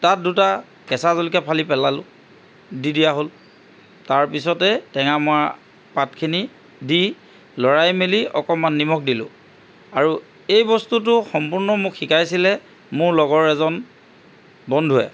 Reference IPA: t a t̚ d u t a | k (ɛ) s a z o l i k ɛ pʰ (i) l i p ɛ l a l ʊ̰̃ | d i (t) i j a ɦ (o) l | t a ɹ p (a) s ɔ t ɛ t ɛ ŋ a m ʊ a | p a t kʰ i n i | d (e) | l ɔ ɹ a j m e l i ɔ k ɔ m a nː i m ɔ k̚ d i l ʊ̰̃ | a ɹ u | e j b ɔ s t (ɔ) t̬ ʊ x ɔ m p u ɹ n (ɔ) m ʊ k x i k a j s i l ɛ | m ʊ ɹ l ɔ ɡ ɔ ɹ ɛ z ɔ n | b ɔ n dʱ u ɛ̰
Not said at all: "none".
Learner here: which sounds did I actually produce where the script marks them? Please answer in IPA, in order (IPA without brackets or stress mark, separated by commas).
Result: ɛ, a, d, o, i, i, u, ɔ